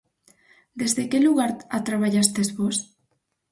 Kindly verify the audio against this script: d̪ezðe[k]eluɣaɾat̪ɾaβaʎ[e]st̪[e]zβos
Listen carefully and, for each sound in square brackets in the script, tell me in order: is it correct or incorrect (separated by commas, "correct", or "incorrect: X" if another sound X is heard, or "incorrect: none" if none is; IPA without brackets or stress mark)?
correct, incorrect: a, correct